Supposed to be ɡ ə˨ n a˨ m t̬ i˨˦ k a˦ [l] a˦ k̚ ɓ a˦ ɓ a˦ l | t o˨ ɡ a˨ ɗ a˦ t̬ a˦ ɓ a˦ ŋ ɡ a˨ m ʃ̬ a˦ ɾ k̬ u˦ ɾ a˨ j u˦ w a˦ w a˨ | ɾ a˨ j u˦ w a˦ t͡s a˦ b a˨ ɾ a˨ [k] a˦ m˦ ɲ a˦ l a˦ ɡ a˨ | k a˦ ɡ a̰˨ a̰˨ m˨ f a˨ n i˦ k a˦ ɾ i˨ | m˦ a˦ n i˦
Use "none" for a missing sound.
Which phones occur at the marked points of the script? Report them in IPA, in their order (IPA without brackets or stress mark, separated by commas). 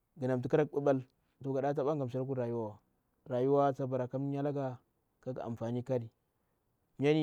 ɾ, k